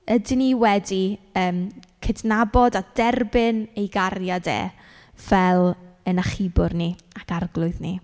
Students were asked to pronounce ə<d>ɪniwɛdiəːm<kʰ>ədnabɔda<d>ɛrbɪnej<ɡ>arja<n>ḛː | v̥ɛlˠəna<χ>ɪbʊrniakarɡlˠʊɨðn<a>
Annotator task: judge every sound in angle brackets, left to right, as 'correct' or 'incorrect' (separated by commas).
correct, correct, correct, correct, incorrect, correct, incorrect